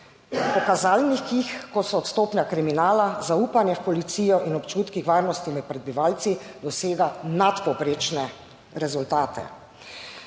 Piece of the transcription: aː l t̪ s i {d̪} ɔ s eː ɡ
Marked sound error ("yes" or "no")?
no